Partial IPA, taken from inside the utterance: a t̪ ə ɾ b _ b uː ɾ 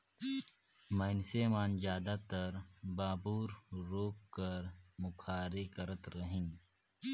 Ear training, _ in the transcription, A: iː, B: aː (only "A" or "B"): B